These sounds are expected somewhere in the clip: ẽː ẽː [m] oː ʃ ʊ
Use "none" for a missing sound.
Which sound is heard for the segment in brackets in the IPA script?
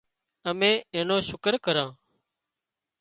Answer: n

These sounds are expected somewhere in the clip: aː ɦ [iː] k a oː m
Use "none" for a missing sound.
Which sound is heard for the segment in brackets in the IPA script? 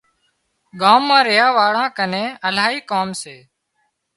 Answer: iː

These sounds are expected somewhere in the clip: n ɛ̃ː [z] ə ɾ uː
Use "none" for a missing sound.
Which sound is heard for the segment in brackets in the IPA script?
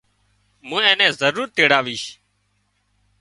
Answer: z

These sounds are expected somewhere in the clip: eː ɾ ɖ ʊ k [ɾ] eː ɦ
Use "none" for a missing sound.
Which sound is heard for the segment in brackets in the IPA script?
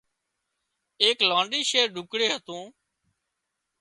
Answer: ɽ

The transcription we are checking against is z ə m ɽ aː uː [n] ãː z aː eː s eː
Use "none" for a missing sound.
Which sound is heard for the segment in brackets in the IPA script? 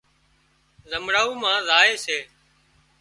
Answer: m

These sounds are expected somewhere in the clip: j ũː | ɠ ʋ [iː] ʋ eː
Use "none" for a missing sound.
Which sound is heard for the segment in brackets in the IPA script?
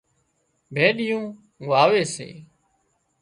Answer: aː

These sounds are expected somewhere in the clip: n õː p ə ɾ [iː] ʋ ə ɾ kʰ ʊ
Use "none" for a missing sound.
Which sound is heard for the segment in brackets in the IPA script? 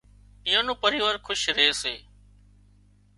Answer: iː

